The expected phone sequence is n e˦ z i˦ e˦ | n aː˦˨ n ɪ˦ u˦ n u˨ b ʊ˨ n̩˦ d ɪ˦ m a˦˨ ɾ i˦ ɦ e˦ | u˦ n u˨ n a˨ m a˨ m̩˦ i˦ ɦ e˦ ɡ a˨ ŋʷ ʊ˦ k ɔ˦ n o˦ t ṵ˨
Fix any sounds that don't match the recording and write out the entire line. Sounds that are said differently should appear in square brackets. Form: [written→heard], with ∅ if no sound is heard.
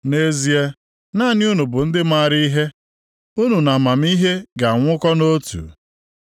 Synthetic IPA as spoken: n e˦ z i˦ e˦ | n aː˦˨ n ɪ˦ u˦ n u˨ b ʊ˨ n̩˦ d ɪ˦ m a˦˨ ɾ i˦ ɦ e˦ | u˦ n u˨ n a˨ m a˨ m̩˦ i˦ ɦ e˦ ɡ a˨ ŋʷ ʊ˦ k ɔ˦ n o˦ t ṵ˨